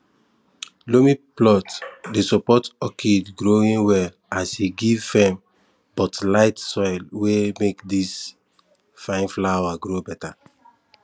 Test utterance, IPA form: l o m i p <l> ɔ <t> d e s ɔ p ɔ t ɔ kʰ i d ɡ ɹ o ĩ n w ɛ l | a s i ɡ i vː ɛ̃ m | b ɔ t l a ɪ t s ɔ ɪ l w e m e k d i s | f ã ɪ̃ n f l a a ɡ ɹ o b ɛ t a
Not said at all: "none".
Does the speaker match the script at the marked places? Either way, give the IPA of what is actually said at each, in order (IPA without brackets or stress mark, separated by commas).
l, t